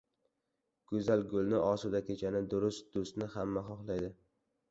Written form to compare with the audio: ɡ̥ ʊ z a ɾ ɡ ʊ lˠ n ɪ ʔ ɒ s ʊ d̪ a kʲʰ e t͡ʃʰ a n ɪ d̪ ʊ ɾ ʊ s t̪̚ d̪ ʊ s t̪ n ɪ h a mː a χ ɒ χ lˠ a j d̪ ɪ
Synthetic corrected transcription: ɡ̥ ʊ z a l ɡ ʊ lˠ n ɪ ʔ ɒ s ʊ d̪ a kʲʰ e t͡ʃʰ a n ɪ d̪ ʊ ɾ ʊ s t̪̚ d̪ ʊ s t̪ n ɪ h a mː a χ ɒ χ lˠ a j d̪ ɪ

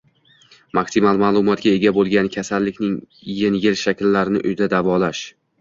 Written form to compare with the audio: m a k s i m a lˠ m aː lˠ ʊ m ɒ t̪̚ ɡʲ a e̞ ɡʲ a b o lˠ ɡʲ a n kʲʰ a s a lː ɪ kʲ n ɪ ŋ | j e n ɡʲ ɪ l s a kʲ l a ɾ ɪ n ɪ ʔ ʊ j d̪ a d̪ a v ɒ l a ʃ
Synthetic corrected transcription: m a k s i m a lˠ m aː lˠ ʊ m ɒ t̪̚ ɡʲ a e̞ ɡʲ a b o lˠ ɡʲ a n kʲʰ a s a lː ɪ kʲ n ɪ ŋ | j e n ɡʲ ɪ l ʃ a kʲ lː a ɾ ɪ n ɪ ʔ ʊ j d̪ a d̪ a v ɒ l a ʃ

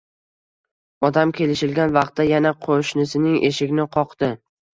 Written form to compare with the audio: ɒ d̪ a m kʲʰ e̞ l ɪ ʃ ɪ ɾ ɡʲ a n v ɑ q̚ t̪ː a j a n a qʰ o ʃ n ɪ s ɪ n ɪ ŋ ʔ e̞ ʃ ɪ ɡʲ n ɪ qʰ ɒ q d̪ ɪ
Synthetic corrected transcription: ɒ d̪ a m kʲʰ e̞ l ɪ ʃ ɪ l ɡʲ a n v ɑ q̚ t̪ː a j a n a qʰ o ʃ n ɪ s ɪ n ɪ ŋ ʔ e̞ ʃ ɪ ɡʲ n ɪ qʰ ɒ q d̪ ɪ

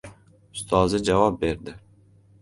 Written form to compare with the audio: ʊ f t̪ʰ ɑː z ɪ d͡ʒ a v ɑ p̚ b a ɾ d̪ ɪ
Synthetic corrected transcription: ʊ s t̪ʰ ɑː z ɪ d͡ʒ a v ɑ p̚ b e ɾ d̪ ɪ

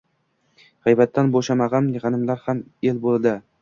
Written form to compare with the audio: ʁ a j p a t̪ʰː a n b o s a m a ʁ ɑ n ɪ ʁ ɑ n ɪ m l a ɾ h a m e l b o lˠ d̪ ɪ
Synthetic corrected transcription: ʁ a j b a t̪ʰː a n b o ʃ a m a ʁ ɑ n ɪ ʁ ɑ n ɪ m l a ɾ h a m e l b o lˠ d̪ ɪ

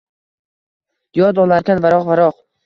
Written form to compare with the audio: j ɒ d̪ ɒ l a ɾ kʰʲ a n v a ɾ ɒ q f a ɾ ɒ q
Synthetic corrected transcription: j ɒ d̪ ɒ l a ɾ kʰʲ a n v a ɾ ɒ q v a ɾ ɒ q

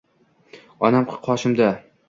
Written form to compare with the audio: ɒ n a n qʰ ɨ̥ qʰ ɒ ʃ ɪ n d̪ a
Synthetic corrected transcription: ɒ n a m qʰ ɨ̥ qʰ ɒ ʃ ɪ m d̪ a

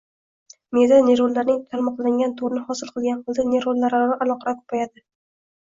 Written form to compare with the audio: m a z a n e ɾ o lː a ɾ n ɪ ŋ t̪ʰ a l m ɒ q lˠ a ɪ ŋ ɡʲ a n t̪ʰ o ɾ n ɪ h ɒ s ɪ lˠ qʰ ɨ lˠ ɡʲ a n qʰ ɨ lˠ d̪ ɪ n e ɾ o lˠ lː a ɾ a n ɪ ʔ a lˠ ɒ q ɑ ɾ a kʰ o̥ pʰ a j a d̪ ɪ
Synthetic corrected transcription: m e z a n e ɾ o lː a ɾ n ɪ ŋ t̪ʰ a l m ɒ q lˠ a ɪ ŋ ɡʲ a n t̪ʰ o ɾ n ɪ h ɒ s ɪ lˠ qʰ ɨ lˠ ɡʲ a n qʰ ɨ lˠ d̪ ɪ n e ɾ o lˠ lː a ɾ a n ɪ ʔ a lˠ ɒ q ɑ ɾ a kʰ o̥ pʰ a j a d̪ ɪ

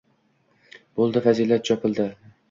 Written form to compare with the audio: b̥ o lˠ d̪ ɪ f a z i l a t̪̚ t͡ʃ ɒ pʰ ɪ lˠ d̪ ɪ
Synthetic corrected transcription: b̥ o lˠ d̪ ɪ f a z i l a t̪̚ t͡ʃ ɒ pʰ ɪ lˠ d̪ ɪ

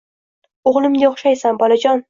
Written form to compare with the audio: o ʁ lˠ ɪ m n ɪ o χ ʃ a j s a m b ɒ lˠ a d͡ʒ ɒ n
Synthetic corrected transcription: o ʁ lˠ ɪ m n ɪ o χ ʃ a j s a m b ɒ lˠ a d͡ʒ ɒ n

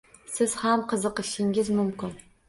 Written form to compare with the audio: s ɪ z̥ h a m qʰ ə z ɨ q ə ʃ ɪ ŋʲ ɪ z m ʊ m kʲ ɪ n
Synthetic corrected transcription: s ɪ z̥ h a m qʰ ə z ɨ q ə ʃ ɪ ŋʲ ɪ z m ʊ m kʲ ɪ n

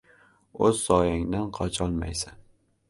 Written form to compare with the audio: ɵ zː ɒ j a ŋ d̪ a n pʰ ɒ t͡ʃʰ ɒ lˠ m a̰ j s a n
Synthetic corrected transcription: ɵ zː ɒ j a ŋ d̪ a n qʰ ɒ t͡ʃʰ ɒ lˠ m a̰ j s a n

